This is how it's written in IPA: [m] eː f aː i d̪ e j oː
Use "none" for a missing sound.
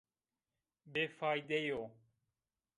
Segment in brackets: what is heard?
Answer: b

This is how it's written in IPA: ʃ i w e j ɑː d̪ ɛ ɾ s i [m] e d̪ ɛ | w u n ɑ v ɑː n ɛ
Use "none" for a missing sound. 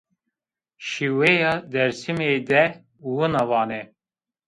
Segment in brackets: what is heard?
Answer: m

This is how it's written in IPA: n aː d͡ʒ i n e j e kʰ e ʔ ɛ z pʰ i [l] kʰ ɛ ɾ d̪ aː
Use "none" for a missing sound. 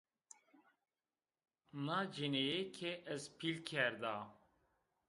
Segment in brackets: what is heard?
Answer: l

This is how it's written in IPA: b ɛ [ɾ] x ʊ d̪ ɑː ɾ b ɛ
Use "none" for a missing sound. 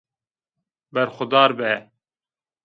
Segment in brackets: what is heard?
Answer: ɾ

